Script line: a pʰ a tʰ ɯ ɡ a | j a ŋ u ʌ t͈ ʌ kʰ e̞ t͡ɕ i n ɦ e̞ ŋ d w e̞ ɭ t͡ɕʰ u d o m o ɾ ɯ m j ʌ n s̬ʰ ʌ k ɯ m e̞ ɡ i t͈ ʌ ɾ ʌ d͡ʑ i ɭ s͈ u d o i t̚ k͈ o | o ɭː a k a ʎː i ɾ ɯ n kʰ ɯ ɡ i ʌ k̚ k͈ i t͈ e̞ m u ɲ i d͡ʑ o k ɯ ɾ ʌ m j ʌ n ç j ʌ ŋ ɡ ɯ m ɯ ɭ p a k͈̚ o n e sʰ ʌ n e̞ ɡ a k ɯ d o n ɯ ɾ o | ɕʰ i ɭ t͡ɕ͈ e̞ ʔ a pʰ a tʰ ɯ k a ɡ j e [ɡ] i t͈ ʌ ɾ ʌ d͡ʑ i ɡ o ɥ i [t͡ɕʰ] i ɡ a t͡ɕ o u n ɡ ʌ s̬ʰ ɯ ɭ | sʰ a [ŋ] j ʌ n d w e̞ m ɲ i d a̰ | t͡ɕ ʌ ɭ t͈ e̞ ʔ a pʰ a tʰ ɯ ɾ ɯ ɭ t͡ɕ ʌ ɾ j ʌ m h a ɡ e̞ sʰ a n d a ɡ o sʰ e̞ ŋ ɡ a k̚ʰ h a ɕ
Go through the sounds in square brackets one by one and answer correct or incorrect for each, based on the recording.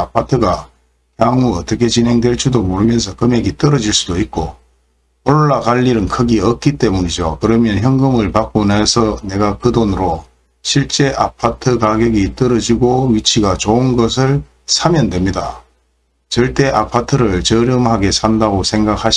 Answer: correct, correct, incorrect: m

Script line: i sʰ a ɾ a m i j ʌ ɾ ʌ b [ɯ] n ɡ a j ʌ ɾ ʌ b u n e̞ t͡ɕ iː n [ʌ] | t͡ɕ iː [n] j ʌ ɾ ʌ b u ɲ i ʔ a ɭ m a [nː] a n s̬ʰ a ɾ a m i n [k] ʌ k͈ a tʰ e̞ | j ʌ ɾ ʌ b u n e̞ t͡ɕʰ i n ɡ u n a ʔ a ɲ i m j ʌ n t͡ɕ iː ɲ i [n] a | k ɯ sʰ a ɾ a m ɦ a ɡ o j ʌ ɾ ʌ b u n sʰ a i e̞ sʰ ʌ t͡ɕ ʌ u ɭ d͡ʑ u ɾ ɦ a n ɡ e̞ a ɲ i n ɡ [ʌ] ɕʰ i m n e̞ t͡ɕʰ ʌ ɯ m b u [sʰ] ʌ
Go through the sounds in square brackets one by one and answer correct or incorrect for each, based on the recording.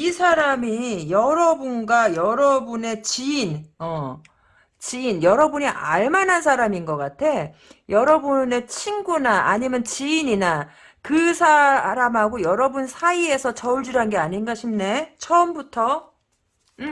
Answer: incorrect: u, correct, correct, incorrect: n, incorrect: ɡ, correct, incorrect: a, incorrect: tʰ

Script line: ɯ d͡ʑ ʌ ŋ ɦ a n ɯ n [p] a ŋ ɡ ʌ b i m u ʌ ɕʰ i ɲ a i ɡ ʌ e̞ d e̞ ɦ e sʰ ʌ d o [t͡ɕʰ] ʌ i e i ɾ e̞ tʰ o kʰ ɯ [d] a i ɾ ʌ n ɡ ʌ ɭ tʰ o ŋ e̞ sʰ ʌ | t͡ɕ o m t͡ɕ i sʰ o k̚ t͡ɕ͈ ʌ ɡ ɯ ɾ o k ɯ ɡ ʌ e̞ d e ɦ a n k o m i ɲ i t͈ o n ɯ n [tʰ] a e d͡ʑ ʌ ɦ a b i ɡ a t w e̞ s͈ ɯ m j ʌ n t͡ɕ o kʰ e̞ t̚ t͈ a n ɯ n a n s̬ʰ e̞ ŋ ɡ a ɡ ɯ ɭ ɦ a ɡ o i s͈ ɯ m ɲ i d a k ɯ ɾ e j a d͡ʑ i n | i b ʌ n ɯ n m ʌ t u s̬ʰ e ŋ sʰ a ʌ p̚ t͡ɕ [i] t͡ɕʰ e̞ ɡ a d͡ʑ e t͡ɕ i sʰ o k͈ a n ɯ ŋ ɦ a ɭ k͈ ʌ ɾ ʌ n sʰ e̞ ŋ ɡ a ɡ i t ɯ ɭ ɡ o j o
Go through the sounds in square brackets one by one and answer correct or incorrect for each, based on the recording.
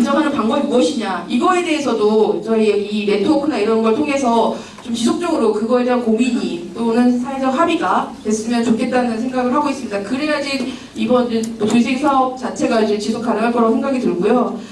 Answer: correct, incorrect: t͡ɕ, incorrect: n, incorrect: sʰ, incorrect: a

